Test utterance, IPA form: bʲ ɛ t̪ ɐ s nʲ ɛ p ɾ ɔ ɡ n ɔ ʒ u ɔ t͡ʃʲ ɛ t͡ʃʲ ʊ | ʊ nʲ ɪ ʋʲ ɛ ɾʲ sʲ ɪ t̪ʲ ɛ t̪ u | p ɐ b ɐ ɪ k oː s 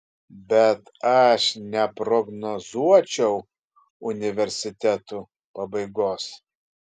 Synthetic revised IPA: bʲ ɛ t̪ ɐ ʃ nʲ ɛ p ɾ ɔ ɡ n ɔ z u ɔ t͡ʃʲ ɛ ʊ | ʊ nʲ ɪ ʋʲ ɛ ɾʲ sʲ ɪ t̪ʲ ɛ t̪ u | p ɐ b ɐ ɪ ɡ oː s